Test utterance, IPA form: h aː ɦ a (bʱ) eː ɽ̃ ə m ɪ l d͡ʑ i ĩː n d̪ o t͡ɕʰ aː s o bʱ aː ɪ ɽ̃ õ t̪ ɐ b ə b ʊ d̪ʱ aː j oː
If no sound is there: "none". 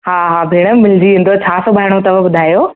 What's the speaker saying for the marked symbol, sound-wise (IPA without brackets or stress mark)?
bʱ